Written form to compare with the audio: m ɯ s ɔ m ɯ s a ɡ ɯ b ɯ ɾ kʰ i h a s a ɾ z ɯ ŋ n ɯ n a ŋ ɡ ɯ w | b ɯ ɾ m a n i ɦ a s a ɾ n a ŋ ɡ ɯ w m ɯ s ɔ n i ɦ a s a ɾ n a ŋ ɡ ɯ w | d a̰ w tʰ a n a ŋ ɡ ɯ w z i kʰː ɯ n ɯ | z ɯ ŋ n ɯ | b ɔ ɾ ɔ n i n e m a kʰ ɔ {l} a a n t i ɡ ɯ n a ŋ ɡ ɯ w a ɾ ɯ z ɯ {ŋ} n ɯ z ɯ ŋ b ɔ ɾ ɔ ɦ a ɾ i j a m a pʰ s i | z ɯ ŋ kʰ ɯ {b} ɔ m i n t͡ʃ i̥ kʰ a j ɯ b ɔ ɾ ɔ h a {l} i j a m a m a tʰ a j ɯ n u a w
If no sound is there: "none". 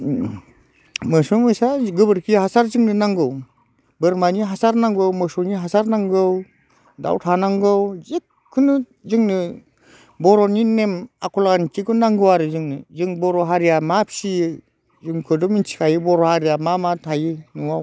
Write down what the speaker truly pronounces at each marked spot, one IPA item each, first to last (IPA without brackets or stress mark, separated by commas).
l, ŋ, d, ɾ